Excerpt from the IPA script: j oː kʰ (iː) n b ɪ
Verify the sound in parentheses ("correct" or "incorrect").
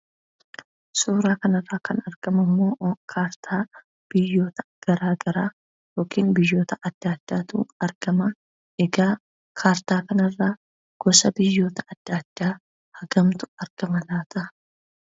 correct